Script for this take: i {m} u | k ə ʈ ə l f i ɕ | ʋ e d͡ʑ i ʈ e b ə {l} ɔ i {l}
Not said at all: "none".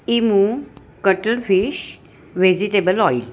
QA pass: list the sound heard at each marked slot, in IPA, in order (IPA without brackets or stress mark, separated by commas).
m, l, l